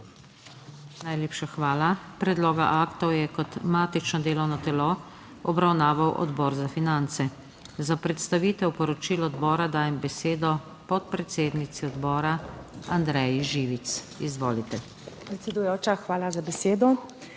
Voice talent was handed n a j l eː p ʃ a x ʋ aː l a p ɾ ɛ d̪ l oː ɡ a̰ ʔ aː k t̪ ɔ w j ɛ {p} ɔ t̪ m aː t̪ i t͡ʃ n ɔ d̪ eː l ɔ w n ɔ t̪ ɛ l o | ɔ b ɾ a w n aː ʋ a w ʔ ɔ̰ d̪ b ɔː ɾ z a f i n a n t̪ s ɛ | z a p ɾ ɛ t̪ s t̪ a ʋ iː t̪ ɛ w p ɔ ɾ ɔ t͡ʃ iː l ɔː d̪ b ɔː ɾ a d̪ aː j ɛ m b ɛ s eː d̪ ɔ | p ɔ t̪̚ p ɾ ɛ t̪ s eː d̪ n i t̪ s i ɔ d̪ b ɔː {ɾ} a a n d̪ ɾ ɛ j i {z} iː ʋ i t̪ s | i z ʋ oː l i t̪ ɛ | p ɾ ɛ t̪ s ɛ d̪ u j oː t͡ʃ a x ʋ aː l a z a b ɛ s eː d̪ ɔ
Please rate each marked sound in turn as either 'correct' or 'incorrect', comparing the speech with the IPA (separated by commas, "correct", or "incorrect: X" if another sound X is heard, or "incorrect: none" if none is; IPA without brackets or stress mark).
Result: incorrect: k, correct, incorrect: ʒ